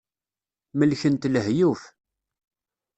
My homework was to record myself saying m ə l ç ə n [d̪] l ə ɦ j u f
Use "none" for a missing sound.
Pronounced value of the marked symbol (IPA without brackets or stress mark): t̪